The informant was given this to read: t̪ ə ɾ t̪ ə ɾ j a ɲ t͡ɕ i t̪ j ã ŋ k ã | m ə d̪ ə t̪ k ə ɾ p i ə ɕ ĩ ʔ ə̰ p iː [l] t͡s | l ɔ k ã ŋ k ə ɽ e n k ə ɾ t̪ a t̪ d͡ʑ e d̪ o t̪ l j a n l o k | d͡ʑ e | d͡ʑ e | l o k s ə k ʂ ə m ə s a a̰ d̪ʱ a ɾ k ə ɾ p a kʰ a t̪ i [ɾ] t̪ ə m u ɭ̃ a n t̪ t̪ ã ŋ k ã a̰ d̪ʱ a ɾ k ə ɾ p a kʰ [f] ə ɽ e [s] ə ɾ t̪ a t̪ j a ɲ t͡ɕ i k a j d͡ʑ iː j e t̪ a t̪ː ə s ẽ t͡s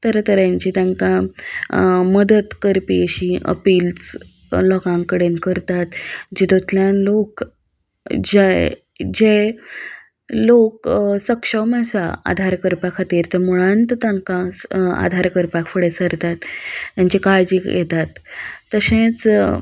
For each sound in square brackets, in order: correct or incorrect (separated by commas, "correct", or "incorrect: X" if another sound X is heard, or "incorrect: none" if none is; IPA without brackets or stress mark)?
correct, correct, correct, correct